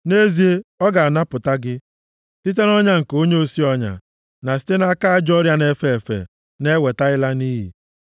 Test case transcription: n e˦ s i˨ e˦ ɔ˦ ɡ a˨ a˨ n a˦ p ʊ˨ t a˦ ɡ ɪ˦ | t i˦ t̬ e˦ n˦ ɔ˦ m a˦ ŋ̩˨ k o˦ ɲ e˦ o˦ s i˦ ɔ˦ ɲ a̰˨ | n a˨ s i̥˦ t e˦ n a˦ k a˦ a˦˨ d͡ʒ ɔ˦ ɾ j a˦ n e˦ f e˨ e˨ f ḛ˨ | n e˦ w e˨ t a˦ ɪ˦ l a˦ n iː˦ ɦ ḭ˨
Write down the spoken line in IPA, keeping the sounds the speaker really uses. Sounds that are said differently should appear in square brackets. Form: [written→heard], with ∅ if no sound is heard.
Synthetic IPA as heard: n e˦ [s→z] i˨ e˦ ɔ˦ ɡ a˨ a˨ n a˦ p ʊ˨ t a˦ ɡ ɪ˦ | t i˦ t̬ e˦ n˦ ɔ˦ [m→ɲ] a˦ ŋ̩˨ k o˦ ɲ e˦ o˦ s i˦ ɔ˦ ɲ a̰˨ | n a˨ s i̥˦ t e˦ n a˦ k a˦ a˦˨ d͡ʒ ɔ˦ ɾ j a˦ n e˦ f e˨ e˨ f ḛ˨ | n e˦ w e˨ t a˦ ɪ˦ l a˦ n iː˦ ɦ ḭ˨